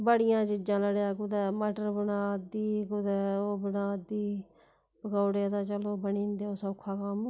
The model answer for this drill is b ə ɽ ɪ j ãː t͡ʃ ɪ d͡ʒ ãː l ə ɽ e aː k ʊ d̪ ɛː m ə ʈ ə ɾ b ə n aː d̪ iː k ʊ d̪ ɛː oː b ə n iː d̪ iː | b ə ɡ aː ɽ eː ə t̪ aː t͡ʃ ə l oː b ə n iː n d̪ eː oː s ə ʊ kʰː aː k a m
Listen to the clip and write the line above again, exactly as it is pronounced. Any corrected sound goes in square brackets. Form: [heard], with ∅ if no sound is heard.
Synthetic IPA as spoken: b ə ɽ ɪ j ãː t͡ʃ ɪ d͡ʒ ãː l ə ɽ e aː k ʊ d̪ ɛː m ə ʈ ə ɾ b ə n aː d̪ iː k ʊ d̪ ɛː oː b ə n [aː] d̪ iː | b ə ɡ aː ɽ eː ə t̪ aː t͡ʃ ə l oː b ə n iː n d̪ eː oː s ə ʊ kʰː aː k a m

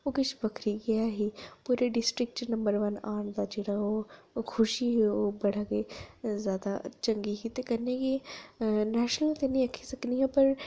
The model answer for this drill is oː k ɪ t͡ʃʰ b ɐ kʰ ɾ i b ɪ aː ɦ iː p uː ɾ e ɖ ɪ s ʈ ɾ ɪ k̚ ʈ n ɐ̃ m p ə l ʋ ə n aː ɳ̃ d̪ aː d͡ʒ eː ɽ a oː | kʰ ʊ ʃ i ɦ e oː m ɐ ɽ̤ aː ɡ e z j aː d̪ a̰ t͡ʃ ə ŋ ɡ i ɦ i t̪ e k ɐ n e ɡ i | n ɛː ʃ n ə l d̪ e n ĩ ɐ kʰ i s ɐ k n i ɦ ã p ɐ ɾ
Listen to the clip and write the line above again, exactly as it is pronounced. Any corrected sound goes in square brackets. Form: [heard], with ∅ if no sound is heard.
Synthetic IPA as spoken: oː k ɪ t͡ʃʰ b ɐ kʰ ɾ i [ɡ] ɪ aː ɦ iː p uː ɾ e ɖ ɪ s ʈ ɾ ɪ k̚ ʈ n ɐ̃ m [b] ə [ɾ] ʋ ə n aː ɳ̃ d̪ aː d͡ʒ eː ɽ a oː | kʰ ʊ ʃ i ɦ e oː [b] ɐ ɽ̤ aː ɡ e z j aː d̪ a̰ t͡ʃ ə ŋ ɡ i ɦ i t̪ e k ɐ n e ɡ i | n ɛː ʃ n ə l [t̪] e n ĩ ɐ kʰ i s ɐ k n i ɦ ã p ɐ ɾ

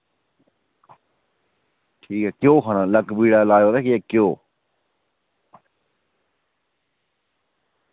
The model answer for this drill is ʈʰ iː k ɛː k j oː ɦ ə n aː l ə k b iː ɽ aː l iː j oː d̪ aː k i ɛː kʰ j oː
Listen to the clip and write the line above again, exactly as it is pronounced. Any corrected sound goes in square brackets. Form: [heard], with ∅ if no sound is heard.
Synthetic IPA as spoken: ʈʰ iː k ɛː k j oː ɦ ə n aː l ə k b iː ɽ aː l [aː] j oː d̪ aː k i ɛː [k] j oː

